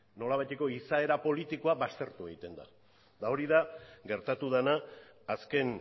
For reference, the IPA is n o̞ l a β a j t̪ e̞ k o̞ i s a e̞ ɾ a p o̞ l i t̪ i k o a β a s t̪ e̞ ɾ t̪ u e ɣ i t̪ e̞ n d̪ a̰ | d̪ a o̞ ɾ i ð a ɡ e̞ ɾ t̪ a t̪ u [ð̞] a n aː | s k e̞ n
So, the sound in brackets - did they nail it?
yes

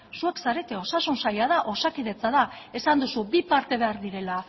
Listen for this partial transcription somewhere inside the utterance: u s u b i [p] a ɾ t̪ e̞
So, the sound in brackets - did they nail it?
yes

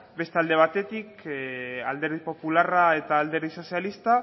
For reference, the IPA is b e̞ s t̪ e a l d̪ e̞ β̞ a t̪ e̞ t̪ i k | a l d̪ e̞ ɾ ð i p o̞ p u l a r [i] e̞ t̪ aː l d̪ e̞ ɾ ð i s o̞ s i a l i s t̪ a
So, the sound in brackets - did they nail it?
no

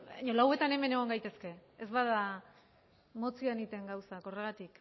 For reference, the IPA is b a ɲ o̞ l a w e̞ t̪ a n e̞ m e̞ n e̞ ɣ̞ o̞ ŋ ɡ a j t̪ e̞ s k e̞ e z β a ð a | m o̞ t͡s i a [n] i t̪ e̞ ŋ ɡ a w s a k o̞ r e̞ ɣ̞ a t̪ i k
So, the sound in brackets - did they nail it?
yes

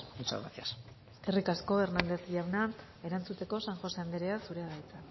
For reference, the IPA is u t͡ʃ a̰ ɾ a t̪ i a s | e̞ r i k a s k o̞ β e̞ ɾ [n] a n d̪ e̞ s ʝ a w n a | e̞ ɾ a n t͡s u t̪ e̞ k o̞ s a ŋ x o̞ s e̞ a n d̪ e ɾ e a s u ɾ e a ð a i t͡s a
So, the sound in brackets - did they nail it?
yes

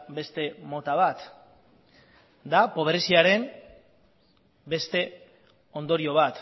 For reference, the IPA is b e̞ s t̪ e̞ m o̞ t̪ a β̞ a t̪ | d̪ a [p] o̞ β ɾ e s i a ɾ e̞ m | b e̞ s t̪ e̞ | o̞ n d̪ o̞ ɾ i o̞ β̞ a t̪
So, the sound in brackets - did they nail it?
yes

